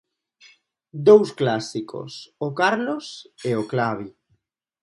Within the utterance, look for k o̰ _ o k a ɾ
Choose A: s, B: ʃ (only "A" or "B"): A